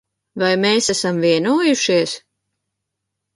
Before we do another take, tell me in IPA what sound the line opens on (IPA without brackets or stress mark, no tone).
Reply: v